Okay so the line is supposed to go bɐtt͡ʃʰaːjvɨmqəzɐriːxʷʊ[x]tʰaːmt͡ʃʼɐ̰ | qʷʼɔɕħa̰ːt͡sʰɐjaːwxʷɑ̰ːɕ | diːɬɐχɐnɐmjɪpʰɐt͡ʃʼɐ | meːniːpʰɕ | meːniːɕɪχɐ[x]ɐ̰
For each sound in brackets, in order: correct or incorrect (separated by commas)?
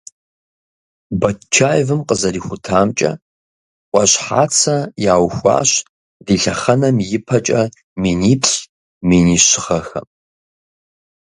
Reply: incorrect, correct